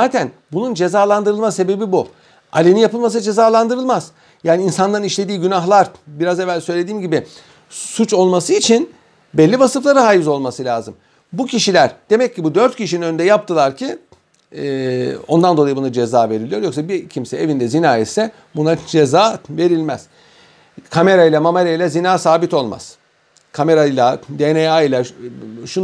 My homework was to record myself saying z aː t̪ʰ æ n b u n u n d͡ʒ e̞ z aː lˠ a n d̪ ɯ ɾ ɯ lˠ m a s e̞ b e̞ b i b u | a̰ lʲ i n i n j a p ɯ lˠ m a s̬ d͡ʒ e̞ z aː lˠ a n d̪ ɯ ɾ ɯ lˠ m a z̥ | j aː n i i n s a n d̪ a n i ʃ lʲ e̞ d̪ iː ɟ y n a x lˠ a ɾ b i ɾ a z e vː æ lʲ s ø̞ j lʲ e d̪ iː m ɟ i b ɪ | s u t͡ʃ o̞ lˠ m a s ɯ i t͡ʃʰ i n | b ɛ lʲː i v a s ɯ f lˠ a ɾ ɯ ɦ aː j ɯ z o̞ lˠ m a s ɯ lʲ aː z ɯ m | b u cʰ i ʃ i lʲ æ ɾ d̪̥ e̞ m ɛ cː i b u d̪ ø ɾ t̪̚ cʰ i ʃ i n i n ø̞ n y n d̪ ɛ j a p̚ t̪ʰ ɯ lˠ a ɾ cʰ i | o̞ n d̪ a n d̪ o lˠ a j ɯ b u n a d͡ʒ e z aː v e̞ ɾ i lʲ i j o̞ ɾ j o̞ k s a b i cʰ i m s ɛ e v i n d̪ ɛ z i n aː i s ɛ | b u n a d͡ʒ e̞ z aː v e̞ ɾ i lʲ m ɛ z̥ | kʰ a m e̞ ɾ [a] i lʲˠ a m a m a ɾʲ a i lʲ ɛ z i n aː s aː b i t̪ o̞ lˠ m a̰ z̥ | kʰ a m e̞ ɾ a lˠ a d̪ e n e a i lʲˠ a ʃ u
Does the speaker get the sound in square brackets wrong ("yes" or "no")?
no